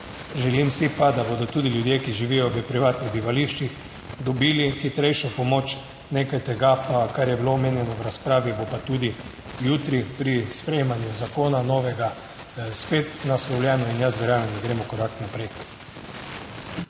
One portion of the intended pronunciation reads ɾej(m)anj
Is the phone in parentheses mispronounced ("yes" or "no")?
no